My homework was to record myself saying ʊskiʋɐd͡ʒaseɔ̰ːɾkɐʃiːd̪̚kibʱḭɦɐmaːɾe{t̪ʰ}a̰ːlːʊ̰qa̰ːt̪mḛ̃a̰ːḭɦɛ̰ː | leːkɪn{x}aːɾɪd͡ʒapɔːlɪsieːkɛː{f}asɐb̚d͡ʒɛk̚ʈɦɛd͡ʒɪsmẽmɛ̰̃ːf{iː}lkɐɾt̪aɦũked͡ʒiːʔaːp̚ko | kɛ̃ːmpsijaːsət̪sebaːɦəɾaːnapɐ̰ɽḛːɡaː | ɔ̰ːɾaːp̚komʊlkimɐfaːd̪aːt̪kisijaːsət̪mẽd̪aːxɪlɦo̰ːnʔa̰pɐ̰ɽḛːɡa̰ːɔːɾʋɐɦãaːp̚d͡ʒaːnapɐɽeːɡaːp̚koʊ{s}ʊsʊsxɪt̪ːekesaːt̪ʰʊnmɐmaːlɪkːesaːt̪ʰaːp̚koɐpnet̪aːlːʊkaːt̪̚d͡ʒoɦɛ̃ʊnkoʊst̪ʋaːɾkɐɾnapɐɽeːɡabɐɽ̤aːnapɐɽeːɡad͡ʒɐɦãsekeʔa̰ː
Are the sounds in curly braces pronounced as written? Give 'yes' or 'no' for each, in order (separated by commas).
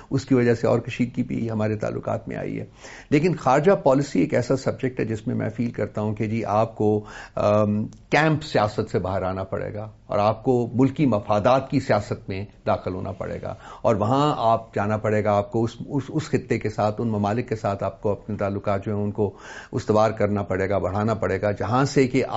no, yes, no, yes, yes